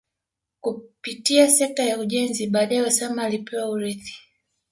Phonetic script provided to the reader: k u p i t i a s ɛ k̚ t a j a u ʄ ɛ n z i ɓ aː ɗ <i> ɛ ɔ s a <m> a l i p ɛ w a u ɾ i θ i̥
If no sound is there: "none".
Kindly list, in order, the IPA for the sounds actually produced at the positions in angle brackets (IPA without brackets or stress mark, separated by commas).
a, m